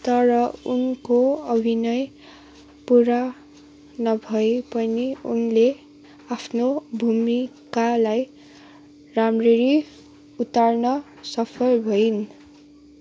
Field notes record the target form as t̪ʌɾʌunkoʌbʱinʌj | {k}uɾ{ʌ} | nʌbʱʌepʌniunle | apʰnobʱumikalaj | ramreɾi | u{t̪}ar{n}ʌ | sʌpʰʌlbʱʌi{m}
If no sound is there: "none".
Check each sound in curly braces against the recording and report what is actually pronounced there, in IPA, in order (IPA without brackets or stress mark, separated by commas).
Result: p, a, t̪, n, n